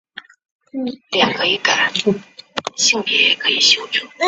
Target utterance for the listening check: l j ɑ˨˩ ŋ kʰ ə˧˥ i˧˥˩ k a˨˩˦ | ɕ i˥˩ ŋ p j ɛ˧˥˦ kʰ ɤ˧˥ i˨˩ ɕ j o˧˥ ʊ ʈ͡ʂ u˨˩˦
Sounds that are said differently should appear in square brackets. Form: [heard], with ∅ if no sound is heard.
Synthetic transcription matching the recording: l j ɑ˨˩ ŋ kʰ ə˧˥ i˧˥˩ k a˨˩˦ | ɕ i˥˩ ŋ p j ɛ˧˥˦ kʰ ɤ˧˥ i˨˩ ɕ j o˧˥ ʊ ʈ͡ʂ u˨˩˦